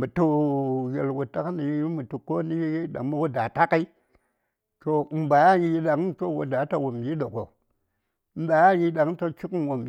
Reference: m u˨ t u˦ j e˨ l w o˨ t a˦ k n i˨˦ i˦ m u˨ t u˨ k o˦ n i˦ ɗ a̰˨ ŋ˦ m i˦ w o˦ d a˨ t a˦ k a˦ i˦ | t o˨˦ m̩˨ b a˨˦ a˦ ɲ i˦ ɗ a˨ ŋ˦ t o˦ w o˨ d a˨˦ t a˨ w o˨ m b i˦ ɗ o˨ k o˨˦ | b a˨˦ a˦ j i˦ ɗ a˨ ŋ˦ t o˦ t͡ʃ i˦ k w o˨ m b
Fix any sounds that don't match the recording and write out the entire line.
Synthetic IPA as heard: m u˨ t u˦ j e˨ l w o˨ t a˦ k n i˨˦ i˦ m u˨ t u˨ k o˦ n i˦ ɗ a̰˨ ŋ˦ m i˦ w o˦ d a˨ t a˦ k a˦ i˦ | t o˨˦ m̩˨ b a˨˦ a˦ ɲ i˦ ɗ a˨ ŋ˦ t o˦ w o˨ d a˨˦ t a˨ w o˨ m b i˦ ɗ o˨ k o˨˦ | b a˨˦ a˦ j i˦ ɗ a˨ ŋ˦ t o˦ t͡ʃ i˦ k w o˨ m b